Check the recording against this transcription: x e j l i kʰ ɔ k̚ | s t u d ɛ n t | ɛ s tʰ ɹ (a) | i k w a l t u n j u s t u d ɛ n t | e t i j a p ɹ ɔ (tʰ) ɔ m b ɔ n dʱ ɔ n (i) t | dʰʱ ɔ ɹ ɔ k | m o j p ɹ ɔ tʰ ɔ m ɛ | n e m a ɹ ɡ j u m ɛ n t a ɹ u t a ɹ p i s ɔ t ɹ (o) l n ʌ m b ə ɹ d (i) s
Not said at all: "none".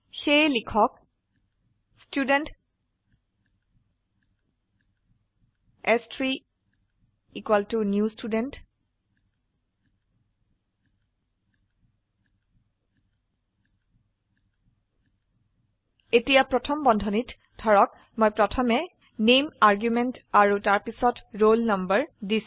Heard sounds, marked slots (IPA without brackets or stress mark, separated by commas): i, tʰ, i, o, i